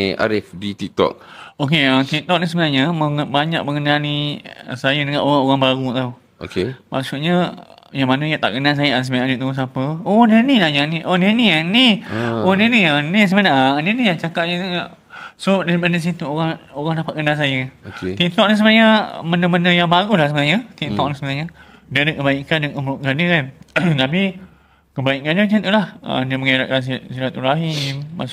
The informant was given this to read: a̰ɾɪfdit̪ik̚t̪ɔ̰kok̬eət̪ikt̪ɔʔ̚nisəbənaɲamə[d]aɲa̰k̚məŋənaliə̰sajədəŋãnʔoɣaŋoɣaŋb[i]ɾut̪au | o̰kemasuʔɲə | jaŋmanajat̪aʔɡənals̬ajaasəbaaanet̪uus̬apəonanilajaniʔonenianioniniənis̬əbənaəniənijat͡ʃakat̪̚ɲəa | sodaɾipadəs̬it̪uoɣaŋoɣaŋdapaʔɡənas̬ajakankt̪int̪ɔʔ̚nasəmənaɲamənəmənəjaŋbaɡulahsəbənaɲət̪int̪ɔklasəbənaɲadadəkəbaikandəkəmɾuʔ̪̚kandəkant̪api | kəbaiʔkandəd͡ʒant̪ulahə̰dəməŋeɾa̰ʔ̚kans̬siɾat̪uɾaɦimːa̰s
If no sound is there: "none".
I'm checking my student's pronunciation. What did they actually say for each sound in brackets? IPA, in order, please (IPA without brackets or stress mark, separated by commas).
b, a